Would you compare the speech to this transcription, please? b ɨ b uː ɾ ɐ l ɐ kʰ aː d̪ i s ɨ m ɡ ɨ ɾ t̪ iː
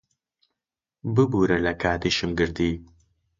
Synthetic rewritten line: b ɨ b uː ɾ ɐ l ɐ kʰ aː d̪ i ʃ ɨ m ɡ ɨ ɾ d̪ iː